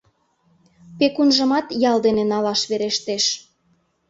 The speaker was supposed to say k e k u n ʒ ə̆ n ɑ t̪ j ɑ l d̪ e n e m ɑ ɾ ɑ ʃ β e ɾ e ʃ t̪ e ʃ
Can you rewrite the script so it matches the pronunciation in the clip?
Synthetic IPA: p e k u n ʒ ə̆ m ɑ t̪ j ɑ l d̪ e n e n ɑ l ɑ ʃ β e ɾ e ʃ t̪ e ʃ